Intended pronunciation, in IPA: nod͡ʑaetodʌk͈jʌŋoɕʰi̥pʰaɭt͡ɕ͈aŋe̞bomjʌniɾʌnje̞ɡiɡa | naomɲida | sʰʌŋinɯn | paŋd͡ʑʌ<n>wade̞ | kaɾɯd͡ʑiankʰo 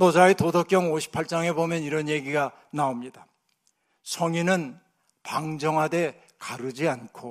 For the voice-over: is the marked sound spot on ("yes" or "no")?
no